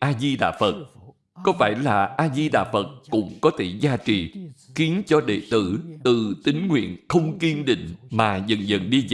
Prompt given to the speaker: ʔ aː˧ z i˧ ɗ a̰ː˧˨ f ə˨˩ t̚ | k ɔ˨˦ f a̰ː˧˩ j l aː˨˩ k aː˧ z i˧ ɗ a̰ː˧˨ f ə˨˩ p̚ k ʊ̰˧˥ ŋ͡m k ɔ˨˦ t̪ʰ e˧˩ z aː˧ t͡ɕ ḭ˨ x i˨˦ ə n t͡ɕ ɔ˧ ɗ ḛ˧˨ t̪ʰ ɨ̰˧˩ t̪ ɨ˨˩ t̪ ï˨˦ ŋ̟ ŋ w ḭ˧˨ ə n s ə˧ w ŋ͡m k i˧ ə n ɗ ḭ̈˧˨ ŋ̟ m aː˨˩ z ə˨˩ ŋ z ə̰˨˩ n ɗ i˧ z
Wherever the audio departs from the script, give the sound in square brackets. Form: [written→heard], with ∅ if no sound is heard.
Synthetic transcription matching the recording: ʔ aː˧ z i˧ ɗ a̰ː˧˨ f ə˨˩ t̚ | k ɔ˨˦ f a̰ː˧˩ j l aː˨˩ [k→ʔ] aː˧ z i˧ ɗ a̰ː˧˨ f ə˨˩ [p̚→t̚] k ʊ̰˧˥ ŋ͡m k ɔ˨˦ t̪ʰ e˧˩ z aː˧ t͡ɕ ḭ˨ x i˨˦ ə n t͡ɕ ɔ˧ ɗ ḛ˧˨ [t̪ʰ→t̪] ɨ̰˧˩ t̪ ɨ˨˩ t̪ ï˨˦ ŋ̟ ŋ w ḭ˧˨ ə n [s→x] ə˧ w ŋ͡m k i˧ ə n ɗ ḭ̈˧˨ ŋ̟ m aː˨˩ z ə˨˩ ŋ z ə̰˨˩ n ɗ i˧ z

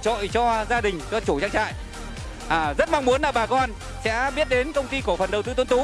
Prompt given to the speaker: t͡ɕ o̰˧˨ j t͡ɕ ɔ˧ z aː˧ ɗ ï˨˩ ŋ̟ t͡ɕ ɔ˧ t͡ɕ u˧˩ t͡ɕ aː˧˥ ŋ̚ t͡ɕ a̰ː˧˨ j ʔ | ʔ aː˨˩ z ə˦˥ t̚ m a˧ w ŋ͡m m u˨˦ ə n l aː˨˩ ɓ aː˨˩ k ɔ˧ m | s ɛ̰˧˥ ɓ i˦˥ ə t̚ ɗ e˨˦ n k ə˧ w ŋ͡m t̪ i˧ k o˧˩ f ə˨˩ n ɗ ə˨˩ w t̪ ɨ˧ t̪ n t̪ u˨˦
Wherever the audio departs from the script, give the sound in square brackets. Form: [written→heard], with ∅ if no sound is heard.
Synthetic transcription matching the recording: t͡ɕ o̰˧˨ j t͡ɕ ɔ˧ z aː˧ ɗ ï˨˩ ŋ̟ t͡ɕ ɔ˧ t͡ɕ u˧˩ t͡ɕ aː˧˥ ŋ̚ t͡ɕ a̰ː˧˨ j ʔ | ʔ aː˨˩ z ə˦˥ t̚ m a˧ w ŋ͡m m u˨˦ ə n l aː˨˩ ɓ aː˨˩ k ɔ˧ [m→n] | s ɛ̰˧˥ ɓ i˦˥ ə t̚ ɗ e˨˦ n k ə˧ w ŋ͡m t̪ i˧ k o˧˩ f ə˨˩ n ɗ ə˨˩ w t̪ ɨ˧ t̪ n t̪ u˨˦

